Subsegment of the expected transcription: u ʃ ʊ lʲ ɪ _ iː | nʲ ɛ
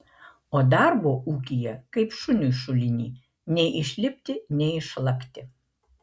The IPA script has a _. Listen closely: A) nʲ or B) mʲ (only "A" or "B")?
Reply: A